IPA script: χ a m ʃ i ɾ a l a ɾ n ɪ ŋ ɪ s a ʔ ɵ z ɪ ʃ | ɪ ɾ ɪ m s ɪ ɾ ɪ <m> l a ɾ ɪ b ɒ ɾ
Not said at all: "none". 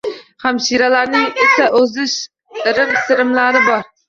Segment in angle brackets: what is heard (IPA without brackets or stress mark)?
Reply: m